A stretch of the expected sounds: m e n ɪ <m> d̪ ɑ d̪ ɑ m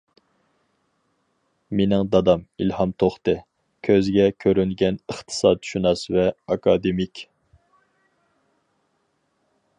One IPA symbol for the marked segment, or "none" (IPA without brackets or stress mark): ŋ